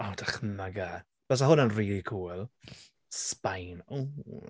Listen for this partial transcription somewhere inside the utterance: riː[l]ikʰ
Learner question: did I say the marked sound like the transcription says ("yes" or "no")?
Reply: yes